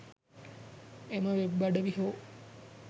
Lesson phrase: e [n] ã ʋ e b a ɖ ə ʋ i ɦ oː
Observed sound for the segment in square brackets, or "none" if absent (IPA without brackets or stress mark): m